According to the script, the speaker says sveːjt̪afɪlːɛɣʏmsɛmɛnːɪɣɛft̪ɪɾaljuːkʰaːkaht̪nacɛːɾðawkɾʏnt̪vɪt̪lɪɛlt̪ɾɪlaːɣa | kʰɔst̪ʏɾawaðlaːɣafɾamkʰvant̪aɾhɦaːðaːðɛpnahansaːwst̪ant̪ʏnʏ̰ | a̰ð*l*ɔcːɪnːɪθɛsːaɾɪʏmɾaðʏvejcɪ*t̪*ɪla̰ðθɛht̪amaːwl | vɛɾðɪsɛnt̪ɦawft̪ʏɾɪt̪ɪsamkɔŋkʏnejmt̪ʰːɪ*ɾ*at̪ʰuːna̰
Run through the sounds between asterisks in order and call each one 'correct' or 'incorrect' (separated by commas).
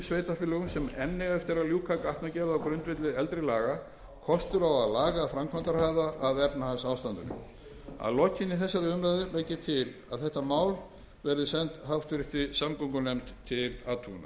correct, incorrect, incorrect